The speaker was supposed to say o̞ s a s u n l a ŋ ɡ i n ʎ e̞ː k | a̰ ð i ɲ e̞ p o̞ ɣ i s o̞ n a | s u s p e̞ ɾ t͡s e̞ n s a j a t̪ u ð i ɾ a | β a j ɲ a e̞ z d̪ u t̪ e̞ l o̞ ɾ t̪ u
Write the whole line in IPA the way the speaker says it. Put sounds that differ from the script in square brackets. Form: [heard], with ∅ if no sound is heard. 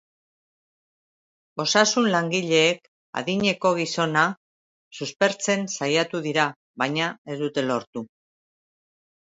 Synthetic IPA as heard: o̞ s a s u n l a ŋ ɡ i [∅] ʎ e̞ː k | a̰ ð i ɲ e̞ [k] o̞ ɣ i s o̞ n a | s u s p e̞ ɾ t͡s e̞ n s a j a t̪ u ð i ɾ a | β a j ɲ a e̞ z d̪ u t̪ e̞ l o̞ ɾ t̪ u